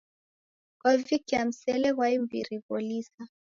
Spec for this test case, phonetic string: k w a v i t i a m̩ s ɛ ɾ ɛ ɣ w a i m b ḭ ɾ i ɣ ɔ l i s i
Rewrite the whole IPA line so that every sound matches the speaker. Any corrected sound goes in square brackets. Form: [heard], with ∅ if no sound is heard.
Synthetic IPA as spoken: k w a v i [k] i a m̩ s ɛ [l] ɛ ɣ w a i m b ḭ ɾ i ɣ ɔ l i s [a]